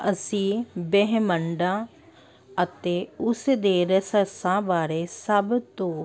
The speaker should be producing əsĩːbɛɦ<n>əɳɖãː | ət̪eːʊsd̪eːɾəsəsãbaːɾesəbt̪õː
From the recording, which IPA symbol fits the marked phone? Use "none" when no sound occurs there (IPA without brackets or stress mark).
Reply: m